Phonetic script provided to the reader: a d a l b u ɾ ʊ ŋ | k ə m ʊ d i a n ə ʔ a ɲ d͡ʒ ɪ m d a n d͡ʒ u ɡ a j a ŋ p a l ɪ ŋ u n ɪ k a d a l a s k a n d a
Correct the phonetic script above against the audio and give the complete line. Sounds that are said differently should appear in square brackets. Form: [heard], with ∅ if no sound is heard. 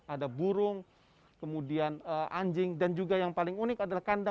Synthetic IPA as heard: a d a [∅] b u ɾ ʊ ŋ | k ə m [u] d i a n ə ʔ a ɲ d͡ʒ ɪ [ŋ] d a n d͡ʒ u ɡ a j a ŋ p a l ɪ ŋ u n ɪ k a d a l a [h] k a n d a

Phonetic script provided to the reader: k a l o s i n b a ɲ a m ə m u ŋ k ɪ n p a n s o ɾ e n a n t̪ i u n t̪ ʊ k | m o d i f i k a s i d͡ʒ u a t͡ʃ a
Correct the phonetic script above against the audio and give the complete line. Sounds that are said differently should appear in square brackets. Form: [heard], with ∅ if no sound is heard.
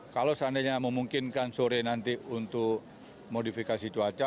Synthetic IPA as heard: k a l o s [a] n [d] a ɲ a m ə m u ŋ k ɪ n [k] a n s o ɾ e n a n t̪ i u n t̪ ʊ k | m o d i f i k a s i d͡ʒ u a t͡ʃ a

